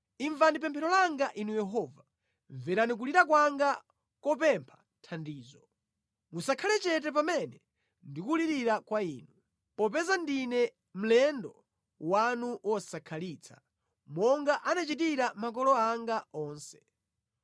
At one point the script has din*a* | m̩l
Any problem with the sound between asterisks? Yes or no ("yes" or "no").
yes